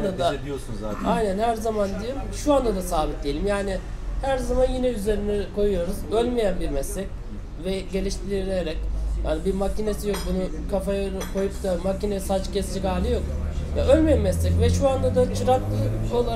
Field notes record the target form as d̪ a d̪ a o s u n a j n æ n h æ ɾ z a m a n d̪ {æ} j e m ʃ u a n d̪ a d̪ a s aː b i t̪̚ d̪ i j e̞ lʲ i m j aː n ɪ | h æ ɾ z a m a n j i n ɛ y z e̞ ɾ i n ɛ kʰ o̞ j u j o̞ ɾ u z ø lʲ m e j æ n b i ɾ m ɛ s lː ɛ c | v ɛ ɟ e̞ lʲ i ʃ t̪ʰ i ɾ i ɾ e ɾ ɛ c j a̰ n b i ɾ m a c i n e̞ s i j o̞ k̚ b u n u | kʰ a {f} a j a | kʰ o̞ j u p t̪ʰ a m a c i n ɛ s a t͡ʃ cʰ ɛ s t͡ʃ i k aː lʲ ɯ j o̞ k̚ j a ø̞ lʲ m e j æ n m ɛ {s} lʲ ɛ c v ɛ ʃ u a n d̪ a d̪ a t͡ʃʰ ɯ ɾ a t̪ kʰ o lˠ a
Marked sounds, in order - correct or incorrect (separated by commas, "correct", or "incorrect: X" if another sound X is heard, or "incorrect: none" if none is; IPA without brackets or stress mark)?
incorrect: i, correct, correct